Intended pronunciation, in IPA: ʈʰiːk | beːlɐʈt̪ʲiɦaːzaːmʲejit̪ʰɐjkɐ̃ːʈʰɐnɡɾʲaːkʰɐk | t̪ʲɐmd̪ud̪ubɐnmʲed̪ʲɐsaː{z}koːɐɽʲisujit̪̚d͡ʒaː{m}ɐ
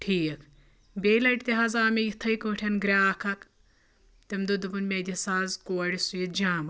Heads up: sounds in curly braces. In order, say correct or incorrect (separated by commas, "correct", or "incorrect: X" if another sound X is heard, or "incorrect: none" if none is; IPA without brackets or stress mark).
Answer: correct, correct